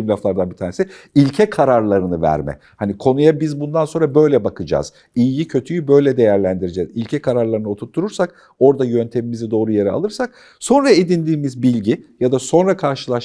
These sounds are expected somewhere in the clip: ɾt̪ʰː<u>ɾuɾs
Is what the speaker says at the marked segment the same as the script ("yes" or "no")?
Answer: yes